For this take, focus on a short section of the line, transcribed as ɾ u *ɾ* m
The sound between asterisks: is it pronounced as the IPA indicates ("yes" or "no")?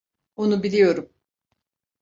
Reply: no